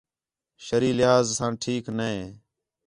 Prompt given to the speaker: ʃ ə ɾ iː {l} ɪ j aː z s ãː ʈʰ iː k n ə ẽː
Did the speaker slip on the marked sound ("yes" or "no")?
no